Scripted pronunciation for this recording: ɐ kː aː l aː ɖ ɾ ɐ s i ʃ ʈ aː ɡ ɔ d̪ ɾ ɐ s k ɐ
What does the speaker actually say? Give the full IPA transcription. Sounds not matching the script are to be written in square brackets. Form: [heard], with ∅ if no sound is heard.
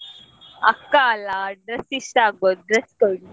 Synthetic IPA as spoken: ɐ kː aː l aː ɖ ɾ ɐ s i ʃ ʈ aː ɡ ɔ d̪ ɾ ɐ s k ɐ